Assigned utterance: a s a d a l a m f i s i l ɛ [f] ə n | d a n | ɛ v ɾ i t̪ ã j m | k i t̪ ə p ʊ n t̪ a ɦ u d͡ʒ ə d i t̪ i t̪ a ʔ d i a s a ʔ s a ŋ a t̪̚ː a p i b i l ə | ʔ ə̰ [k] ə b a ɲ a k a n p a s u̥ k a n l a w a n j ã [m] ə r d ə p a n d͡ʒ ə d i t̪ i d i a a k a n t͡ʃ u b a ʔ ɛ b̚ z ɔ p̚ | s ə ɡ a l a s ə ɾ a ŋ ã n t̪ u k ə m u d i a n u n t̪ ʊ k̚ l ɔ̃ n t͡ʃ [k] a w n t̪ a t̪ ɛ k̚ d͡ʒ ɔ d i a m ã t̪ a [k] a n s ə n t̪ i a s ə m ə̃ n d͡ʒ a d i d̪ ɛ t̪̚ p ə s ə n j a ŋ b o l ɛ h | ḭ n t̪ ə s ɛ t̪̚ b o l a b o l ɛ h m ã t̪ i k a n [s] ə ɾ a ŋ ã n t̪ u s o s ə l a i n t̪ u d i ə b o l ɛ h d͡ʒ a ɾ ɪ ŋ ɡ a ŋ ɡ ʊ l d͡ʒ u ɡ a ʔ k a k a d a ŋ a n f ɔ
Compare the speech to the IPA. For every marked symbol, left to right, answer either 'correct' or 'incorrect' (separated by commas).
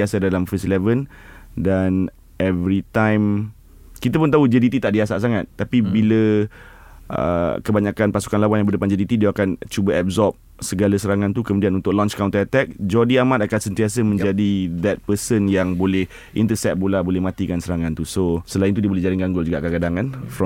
incorrect, correct, incorrect, correct, correct, correct